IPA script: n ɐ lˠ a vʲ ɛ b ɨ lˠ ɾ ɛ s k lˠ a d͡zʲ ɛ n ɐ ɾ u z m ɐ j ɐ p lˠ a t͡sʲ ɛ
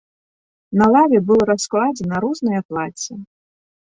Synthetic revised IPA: n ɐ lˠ a vʲ ɛ b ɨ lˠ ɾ a s k lˠ a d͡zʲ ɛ n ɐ ɾ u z n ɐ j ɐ p lˠ a t͡sʲ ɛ